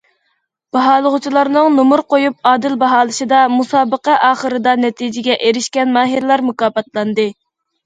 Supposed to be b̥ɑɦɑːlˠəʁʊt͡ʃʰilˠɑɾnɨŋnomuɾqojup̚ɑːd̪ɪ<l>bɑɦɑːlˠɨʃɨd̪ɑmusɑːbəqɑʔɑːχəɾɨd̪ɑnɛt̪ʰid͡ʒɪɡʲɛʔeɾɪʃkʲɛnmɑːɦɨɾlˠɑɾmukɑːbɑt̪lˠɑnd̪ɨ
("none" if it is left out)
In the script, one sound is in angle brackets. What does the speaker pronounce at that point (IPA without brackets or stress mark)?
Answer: l